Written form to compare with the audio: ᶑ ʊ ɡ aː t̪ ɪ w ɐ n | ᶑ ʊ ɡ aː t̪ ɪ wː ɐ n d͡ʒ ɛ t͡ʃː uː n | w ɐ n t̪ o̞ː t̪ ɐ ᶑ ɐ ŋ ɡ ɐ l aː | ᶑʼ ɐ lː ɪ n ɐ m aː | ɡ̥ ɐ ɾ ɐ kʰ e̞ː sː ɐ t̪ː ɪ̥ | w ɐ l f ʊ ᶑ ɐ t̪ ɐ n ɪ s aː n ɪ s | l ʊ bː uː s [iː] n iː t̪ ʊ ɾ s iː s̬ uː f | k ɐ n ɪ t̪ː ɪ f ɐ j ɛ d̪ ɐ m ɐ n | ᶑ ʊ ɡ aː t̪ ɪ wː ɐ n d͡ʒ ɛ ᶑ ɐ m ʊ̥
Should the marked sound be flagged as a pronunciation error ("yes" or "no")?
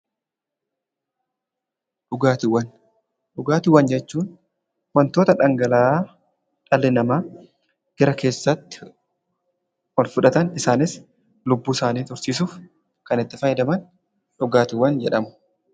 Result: yes